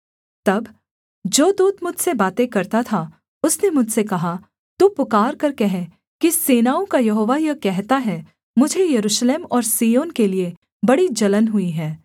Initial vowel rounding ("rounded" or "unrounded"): unrounded